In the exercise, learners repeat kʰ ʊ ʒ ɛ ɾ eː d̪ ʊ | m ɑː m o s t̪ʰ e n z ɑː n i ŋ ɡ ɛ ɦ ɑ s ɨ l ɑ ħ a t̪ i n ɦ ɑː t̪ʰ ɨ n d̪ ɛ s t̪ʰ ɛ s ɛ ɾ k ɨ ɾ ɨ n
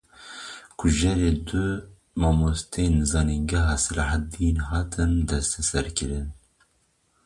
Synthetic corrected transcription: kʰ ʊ ʒ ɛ ɾ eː d̪ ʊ | m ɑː m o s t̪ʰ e n z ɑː n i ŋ ɡ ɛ ɦ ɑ s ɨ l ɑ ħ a d̪ i n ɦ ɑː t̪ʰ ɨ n d̪ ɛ s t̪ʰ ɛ s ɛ ɾ k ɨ ɾ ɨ n